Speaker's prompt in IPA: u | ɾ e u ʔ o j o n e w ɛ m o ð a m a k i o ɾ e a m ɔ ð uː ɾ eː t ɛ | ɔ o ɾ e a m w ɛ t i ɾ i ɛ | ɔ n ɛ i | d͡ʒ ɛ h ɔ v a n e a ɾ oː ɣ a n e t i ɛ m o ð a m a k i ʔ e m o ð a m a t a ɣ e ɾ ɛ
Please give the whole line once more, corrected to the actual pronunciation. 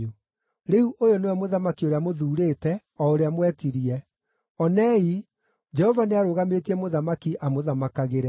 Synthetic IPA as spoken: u | ɾ e u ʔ o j o n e w ɛ m o ð a m a k i o ɾ e a m o ð uː ɾ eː t ɛ | ɔ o ɾ e a m w ɛ t i ɾ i ɛ | ɔ n ɛ i | d͡ʒ ɛ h ɔ v a n e a ɾ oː ɣ a m e t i ɛ m o ð a m a k i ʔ a m o ð a m a k a ɣ e ɾ ɛ